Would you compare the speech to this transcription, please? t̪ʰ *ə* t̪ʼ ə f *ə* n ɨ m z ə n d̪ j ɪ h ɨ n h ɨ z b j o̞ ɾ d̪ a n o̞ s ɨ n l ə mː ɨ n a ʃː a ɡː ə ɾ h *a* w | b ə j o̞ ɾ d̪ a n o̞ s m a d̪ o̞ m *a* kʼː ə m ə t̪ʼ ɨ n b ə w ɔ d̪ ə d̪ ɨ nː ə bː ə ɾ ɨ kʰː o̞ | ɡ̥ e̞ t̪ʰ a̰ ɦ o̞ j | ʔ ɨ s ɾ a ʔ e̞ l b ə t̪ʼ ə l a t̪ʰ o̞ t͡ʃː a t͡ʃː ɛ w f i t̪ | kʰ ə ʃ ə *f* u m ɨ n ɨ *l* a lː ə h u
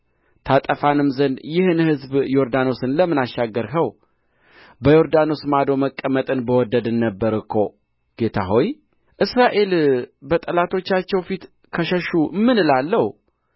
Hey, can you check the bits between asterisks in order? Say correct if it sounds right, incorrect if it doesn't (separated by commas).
incorrect, incorrect, incorrect, incorrect, incorrect, correct